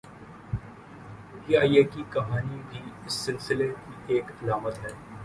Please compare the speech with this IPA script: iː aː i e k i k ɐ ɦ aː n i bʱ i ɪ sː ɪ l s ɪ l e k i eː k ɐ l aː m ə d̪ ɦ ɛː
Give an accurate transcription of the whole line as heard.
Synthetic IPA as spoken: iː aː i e k i k ɐ ɦ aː n i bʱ i ɪ sː ɪ l s ɪ l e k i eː k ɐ l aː m ə t̪ ɦ ɛː